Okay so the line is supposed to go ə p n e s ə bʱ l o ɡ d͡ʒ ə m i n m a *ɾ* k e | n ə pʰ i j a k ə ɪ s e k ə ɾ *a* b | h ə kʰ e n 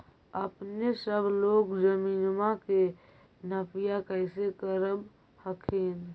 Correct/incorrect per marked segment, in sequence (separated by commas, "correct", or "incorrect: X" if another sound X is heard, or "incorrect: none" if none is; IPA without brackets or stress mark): incorrect: none, incorrect: ə